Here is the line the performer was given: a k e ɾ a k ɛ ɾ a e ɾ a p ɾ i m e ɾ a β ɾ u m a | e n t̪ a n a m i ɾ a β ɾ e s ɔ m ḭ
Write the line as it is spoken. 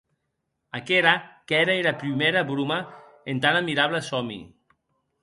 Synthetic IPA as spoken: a k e ɾ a k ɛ ɾ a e ɾ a p ɾ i m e ɾ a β ɾ u m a | e n t̪ a n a m i ɾ a β l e s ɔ m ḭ